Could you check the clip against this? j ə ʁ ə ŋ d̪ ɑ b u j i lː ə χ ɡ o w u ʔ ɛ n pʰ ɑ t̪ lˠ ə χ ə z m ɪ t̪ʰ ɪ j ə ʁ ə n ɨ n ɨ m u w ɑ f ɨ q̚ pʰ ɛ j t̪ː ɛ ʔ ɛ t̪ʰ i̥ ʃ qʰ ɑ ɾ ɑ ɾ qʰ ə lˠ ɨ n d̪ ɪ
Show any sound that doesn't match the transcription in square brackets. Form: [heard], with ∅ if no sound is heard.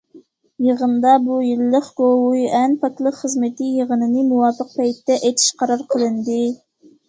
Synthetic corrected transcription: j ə ʁ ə [n] d̪ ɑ b u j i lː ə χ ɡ o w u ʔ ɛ n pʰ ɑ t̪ lˠ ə χ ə z m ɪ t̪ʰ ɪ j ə ʁ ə n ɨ n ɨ m u w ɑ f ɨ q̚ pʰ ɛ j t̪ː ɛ ʔ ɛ t̪ʰ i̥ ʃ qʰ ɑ ɾ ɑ ɾ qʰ ə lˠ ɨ n d̪ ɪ